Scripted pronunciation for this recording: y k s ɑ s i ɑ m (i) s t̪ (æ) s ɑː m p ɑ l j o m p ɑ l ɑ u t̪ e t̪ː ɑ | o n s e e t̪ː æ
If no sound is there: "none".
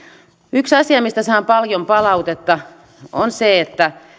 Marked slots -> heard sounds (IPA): i, æ

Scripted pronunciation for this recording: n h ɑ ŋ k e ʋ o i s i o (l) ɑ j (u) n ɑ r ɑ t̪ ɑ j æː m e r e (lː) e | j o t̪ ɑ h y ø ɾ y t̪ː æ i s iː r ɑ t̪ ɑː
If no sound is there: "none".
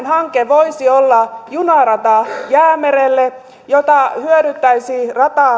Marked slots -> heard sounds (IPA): lː, u, lː

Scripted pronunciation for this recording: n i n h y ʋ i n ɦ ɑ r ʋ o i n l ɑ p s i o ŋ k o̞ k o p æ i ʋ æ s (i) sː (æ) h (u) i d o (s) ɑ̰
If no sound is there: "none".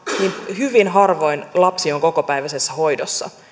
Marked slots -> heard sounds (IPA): e, æ, o, sː

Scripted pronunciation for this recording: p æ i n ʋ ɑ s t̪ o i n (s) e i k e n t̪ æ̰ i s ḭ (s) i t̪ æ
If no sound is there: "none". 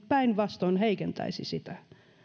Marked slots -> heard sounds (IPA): h, s

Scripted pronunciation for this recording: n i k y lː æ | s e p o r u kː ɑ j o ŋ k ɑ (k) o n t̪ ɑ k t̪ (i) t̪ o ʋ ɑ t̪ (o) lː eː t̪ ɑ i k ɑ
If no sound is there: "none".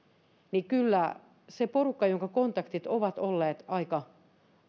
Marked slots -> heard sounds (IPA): k, i, o

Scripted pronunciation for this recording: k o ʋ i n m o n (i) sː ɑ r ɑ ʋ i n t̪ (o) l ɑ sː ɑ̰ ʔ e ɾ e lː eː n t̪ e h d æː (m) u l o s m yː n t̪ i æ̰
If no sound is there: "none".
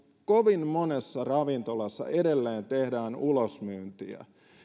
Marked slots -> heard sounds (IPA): e, o, n

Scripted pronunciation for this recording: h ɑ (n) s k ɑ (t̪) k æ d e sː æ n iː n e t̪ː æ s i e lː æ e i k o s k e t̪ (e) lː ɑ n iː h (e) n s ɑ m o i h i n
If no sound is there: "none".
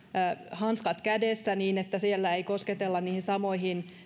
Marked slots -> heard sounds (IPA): n, t̪, e, i

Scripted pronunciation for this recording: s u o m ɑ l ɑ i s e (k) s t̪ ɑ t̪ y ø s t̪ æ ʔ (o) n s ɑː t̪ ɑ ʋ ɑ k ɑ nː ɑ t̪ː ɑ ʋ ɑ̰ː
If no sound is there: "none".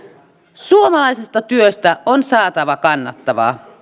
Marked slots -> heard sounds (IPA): none, o

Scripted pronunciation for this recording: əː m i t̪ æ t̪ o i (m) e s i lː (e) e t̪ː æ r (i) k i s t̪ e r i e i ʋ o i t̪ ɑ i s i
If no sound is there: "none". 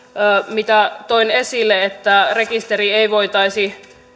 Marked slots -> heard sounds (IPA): n, e, e

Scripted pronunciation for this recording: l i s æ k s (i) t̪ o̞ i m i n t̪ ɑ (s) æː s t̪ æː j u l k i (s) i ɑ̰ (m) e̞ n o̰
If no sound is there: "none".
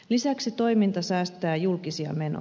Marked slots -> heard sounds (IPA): i, s, s, m

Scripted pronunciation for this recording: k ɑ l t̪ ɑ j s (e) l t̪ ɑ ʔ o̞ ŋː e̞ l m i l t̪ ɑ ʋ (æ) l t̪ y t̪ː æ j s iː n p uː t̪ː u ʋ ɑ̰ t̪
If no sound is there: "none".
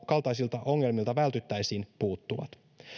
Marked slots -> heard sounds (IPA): i, æ

